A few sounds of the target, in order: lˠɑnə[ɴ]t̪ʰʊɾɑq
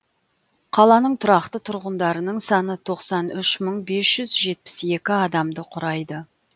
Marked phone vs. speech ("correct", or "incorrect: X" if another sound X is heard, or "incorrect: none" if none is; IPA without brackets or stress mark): correct